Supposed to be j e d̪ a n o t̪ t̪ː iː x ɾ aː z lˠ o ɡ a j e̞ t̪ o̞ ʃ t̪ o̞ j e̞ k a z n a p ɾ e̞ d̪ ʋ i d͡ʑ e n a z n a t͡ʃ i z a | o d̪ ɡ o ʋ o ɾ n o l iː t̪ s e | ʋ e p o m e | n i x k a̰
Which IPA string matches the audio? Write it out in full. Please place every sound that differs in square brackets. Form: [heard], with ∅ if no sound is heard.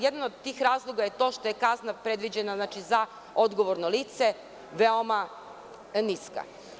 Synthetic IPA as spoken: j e d̪ a n o [d̪] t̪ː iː x ɾ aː z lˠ o ɡ a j e̞ t̪ o̞ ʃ t̪ o̞ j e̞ k a z n a p ɾ e̞ d̪ ʋ i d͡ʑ e n a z n a t͡ʃ i z a | o d̪ ɡ o ʋ o ɾ n o l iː t̪ s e | ʋ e [∅] o m [a] | n i [s] k a̰